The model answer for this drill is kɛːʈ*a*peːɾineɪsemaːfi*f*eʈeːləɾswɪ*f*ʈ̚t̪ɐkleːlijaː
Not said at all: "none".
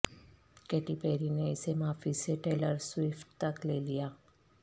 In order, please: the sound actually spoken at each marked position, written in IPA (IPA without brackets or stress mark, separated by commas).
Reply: i, s, f